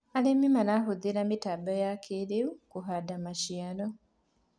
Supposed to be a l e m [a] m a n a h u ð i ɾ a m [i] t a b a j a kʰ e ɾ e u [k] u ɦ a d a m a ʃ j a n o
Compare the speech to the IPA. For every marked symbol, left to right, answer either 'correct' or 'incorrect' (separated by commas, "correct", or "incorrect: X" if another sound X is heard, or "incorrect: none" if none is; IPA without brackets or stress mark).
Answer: incorrect: i, correct, correct